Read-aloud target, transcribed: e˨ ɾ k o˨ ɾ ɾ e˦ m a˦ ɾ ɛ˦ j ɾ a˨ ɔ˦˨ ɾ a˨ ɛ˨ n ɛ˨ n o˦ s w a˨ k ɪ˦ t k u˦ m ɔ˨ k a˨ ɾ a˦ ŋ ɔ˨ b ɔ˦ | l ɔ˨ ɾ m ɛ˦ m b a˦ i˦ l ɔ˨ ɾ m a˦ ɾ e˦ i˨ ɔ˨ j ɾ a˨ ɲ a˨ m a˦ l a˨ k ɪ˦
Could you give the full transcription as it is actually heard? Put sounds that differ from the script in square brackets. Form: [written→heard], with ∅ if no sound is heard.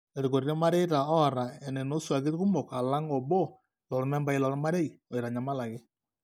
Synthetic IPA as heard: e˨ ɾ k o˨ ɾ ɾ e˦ m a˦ ɾ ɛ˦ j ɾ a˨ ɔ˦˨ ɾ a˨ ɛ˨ n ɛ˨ n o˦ s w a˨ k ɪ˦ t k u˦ m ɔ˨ k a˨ [ɾ→l] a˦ ŋ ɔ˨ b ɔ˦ | l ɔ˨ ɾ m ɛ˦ m b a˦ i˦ l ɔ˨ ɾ m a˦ ɾ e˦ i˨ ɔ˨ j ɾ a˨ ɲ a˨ m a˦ l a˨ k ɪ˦

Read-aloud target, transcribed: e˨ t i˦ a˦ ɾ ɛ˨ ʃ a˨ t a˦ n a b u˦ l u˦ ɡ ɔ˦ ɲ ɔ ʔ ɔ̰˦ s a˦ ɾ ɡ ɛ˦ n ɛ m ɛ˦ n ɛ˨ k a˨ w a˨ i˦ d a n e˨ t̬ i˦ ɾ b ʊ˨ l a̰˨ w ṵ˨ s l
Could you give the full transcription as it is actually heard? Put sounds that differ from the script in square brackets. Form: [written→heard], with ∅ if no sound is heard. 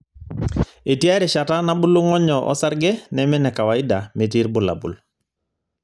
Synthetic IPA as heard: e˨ t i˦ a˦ ɾ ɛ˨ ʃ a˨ t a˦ n a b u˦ l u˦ [ɡ→ŋ] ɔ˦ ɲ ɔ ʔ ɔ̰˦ s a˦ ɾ ɡ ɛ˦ n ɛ m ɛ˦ n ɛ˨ k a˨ w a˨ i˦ d a [n→m] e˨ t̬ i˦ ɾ b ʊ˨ l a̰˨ [w→b] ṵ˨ [s→∅] l

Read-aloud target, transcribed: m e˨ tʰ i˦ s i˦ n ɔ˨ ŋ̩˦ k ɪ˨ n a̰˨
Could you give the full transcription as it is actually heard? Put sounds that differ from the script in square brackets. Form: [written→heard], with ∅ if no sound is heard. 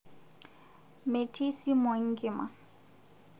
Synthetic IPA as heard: m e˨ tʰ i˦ s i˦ [n→m] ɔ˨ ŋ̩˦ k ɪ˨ [n→m] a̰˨

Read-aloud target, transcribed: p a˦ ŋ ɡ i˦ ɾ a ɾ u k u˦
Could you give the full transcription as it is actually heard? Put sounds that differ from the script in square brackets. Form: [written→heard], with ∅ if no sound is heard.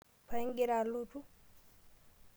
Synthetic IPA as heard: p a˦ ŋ ɡ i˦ ɾ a [ɾ→l] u [k→t] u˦

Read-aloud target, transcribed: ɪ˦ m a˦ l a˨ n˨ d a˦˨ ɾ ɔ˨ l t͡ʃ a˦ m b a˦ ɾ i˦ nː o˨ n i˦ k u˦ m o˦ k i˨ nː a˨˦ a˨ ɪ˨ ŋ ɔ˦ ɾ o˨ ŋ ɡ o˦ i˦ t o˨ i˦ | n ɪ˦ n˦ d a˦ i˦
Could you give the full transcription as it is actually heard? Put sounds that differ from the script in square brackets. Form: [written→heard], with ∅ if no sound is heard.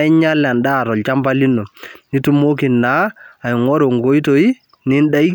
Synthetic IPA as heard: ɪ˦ [m→ɲ] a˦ l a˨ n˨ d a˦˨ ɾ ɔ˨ l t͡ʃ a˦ m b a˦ [ɾ→l] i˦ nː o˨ n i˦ [k→t] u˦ m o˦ k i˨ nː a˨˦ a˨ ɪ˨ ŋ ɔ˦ ɾ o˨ ŋ ɡ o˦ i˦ t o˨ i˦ | n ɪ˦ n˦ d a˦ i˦

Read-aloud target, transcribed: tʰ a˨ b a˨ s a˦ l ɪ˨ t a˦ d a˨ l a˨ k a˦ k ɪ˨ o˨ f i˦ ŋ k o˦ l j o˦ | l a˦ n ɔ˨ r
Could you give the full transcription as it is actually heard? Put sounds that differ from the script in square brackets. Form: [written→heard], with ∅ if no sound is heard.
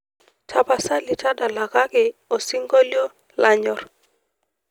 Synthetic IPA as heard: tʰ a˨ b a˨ s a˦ l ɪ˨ t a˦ d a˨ l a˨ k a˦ k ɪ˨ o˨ [f→s] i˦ ŋ [k→ɡ] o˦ l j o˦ | l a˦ [n→ɲ] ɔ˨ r

